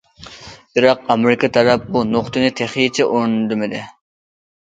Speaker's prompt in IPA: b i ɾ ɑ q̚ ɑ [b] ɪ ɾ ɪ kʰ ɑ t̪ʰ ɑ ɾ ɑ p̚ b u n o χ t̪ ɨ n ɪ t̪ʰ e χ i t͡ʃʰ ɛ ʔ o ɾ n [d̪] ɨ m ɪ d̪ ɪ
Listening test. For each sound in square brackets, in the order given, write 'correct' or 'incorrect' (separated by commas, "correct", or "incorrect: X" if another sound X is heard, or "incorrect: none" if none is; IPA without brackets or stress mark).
incorrect: m, correct